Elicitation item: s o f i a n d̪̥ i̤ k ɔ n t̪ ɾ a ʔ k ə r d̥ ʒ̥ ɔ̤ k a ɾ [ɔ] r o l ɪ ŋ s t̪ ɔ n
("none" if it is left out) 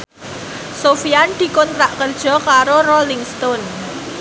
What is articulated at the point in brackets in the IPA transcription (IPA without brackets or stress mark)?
o